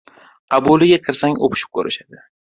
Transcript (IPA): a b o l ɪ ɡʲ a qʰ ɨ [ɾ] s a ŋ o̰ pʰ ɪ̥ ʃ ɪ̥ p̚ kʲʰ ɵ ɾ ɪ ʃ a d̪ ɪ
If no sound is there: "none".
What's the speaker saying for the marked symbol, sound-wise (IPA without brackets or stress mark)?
ɾ